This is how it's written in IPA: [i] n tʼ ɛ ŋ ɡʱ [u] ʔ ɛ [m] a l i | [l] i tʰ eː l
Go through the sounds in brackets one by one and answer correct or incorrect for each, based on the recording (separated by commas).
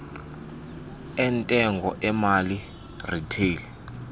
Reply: incorrect, incorrect, correct, incorrect